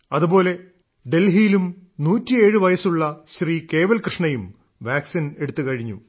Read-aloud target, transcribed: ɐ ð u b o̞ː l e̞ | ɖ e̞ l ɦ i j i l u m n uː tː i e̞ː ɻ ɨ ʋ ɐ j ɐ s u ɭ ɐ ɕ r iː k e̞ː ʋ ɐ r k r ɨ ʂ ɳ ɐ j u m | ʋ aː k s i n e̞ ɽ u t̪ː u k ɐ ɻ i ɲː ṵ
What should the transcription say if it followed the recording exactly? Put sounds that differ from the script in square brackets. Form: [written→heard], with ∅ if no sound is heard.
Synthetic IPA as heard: ɐ ð u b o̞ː l e̞ | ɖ e̞ l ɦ i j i l u m n uː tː i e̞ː ɻ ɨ ʋ ɐ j ɐ s u [ɭ→ɭː] ɐ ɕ r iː k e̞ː ʋ ɐ [r→l] k r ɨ ʂ ɳ ɐ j u m | ʋ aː k s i n e̞ ɽ u t̪ː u k ɐ ɻ i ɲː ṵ